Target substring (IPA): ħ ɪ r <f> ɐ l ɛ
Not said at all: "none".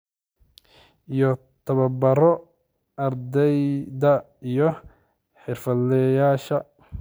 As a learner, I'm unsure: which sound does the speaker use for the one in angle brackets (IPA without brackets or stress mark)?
f